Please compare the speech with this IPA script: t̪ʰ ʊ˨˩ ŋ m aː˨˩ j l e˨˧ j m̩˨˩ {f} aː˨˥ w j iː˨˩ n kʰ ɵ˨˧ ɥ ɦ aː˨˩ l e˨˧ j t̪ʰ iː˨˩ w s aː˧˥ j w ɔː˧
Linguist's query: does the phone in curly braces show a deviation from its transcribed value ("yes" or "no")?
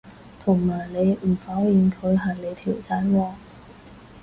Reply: no